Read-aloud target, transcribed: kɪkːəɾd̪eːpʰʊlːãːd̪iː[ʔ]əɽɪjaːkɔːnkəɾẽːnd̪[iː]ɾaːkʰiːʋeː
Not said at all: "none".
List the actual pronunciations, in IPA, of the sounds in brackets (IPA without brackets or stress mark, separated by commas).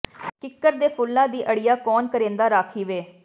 ʔ, aː